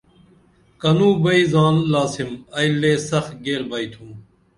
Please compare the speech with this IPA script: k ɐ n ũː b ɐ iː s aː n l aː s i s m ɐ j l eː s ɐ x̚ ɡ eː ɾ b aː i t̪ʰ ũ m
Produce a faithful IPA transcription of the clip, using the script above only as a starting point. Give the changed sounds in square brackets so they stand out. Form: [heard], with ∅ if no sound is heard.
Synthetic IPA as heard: k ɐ n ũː b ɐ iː [z] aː n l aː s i [∅] m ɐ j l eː s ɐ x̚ ɡ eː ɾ b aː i t̪ʰ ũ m